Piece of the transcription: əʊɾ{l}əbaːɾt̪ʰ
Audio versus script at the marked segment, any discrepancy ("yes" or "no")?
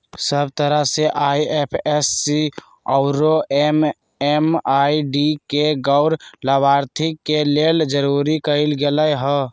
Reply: no